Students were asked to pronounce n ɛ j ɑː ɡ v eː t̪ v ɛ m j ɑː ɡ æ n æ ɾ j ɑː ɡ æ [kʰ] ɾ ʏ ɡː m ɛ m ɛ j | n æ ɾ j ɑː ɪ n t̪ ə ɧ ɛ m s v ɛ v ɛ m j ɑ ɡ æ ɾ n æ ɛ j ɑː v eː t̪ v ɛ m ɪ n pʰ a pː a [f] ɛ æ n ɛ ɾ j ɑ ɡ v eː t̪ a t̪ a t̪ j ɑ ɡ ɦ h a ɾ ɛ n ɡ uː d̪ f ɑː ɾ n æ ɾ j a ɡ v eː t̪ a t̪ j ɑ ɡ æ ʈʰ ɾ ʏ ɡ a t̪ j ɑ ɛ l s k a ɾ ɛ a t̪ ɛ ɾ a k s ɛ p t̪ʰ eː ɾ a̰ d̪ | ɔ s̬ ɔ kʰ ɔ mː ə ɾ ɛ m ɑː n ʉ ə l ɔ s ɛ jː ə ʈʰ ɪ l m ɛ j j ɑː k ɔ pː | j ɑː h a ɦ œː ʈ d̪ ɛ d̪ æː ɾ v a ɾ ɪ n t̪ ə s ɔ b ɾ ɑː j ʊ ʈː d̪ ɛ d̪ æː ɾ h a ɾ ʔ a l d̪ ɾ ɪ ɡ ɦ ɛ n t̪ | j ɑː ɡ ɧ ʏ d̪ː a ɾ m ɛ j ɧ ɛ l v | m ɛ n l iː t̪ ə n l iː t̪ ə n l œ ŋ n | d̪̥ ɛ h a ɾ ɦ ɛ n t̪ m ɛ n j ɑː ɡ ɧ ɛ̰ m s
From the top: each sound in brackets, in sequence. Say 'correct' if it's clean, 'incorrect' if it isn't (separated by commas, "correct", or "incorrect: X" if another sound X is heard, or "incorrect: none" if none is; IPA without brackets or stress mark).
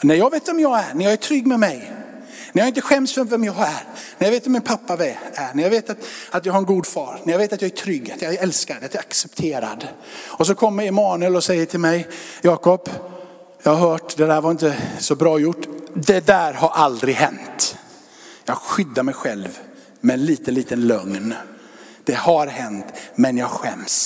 incorrect: ʈʰ, incorrect: v